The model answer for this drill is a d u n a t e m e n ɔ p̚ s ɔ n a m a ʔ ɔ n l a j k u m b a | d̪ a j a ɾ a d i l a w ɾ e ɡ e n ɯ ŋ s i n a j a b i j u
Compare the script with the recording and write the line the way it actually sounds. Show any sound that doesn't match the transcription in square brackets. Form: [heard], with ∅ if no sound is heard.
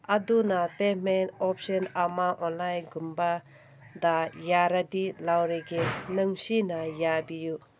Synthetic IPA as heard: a d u n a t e m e n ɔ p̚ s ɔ n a m a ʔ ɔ n l a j [ɡ] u m b a | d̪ a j a ɾ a d i l a w ɾ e ɡ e n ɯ ŋ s i n a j a b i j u